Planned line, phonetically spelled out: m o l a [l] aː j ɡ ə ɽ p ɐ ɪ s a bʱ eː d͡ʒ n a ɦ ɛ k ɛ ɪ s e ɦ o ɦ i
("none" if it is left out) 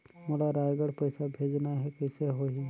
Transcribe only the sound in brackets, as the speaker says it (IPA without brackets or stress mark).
ɾ